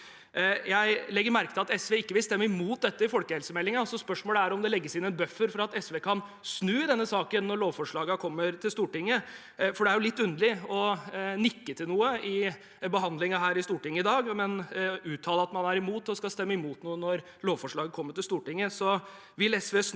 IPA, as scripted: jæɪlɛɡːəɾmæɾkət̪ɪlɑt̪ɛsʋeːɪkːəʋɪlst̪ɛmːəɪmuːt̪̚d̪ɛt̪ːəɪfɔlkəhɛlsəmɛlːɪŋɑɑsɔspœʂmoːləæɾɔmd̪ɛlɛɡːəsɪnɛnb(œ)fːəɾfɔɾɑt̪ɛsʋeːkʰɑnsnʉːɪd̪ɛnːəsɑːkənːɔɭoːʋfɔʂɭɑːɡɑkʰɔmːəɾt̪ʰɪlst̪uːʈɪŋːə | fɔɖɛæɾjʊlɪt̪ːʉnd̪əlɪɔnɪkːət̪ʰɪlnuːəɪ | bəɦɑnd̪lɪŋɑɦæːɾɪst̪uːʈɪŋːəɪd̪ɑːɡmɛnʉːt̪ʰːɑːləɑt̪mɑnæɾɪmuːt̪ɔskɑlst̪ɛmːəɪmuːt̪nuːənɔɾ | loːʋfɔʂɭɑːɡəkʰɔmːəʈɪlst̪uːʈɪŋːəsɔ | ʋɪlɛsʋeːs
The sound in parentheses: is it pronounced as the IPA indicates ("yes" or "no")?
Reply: yes